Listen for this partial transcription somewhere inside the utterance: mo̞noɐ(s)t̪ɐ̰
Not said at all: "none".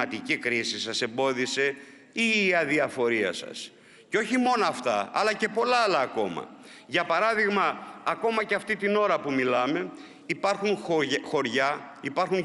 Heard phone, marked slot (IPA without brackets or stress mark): f